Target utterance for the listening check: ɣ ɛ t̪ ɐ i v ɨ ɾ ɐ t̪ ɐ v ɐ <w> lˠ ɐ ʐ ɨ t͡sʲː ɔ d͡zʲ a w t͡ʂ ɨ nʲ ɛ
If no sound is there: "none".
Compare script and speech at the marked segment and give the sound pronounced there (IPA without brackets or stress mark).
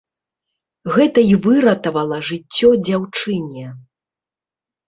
none